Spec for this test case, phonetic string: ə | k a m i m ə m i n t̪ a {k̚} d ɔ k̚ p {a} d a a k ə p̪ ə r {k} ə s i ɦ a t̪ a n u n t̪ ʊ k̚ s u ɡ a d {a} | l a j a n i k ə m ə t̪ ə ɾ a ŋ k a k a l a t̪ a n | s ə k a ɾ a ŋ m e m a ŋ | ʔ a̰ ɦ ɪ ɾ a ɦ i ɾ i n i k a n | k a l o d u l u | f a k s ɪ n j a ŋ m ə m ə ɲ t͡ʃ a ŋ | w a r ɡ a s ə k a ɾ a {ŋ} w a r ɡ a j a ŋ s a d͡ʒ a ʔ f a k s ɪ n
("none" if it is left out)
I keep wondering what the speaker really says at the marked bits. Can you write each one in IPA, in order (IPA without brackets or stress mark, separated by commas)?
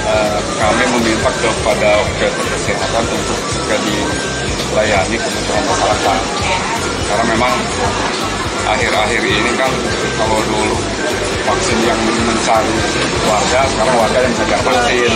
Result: k̚, a, k, i, ŋ